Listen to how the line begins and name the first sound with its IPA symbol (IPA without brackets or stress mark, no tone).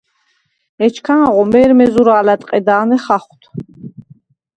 ɛ